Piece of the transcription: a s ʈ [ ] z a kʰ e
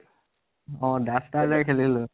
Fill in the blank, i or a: a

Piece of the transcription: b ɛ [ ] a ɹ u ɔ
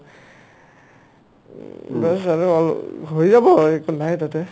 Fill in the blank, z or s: s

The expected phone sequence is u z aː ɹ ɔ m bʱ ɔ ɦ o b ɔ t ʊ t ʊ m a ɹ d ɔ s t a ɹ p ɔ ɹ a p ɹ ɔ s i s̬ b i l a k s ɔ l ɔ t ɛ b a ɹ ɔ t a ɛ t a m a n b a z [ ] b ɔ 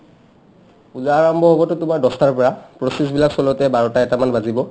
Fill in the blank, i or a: i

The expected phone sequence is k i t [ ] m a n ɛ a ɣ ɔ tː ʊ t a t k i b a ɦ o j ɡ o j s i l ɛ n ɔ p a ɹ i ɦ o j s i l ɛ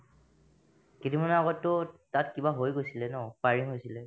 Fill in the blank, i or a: i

